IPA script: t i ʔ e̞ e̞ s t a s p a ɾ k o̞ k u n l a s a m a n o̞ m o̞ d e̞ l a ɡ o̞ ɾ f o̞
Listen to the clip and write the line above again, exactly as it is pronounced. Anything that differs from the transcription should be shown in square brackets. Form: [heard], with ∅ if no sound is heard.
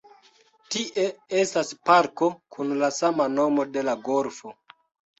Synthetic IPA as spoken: t i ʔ e̞ e̞ s t a s p a ɾ k o̞ k u n l a s a m a n o̞ m o̞ d e̞ l a ɡ o̞ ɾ f o̞